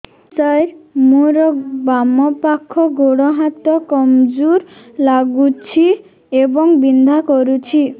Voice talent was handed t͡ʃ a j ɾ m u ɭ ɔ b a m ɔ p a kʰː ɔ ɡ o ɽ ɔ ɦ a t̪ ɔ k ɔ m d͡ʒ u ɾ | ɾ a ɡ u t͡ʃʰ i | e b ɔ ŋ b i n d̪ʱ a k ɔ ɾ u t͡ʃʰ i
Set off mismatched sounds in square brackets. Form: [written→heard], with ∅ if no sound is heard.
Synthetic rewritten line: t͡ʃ a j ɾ m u [ɭ→ɾ] ɔ b a m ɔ p a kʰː ɔ ɡ o ɽ ɔ ɦ a t̪ ɔ k ɔ m d͡ʒ u ɾ | [ɾ→l] a ɡ u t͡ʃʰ i | e b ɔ ŋ b i n d̪ʱ a k ɔ ɾ u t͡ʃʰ i